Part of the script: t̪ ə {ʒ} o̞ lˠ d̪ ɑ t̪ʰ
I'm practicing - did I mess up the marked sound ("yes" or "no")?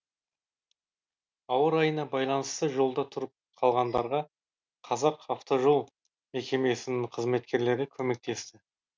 no